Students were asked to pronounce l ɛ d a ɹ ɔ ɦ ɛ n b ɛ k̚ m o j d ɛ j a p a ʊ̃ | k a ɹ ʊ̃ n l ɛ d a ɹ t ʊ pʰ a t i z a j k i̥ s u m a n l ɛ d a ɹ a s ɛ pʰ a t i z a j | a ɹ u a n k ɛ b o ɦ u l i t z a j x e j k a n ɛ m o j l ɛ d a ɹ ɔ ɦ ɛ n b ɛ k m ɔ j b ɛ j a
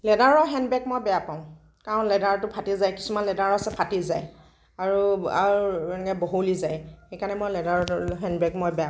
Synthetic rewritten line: l ɛ d a ɹ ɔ ɦ ɛ n b ɛ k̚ m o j b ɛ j a p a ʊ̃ | k a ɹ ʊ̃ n l ɛ d a ɹ t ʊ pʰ a t i z a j k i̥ s u m a n l ɛ d a ɹ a s ɛ pʰ a t i z a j | a ɹ u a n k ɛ b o ɦ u l i z a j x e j k a n ɛ m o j l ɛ d a ɹ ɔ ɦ ɛ n b ɛ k m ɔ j b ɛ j a